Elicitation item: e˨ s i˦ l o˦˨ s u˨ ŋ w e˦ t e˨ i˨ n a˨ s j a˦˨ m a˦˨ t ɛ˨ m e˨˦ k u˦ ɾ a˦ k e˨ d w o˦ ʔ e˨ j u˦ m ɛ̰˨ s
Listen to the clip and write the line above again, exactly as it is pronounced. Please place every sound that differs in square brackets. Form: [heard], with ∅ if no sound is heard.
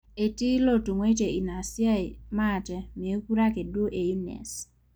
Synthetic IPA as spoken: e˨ [t] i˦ l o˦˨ [t] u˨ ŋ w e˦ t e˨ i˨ n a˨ s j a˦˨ m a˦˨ t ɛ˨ m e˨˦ k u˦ ɾ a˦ k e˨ d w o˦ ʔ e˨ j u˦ [n] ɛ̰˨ s

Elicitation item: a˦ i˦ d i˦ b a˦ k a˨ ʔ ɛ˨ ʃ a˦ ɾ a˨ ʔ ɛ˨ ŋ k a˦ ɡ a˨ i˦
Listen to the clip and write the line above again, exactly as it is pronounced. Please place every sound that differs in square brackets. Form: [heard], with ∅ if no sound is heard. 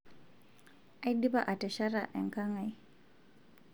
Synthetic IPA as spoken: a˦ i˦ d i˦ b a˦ [ʔ] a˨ [t] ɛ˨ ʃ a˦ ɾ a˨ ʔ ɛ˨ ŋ k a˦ [ŋ] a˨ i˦

